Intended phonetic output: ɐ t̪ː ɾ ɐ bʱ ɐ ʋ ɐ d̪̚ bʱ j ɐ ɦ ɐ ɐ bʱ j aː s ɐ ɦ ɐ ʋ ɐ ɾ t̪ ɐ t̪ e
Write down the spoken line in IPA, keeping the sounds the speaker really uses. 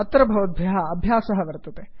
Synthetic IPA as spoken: ɐ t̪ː ɾ ɐ bʱ ɐ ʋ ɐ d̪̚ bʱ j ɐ ɦ ɐ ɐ bʱ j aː s ɐ ɦ ɐ ʋ ɐ ɾ t̪ ɐ t̪ e